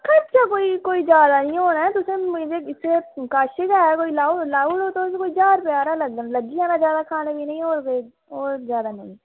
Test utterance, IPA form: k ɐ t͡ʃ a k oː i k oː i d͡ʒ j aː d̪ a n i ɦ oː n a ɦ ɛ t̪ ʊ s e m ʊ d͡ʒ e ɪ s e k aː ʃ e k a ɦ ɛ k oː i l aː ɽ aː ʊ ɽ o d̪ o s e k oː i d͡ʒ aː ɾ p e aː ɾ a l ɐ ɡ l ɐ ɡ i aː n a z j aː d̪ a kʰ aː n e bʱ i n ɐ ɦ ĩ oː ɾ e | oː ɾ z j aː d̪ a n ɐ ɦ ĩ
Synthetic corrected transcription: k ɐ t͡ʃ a k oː i k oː i d͡ʒ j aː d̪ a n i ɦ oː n a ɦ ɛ t̪ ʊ s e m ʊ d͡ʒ e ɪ s e k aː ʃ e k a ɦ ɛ k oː i l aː l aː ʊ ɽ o t̪ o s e k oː i d͡ʒ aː ɾ p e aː ɾ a l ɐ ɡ l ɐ ɡ i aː n a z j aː d̪ a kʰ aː n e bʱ i n ɐ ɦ ĩ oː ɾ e | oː ɾ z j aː d̪ a n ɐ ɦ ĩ